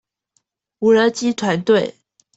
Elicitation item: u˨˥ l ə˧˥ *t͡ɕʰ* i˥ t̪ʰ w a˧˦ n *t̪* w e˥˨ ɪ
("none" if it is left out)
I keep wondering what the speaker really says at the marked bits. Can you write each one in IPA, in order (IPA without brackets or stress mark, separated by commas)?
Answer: t͡ɕ, t̪